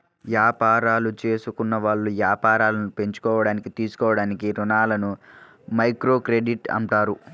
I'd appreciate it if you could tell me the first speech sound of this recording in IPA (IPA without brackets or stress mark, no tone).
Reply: ʋ